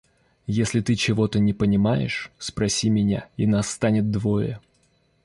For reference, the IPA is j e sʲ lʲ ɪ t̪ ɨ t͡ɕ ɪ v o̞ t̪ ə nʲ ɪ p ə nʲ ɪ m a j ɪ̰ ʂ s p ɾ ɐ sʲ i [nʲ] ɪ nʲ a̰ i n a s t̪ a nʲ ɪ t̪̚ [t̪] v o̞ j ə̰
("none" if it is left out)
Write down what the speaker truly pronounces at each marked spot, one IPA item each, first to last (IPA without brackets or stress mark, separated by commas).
mʲ, d̪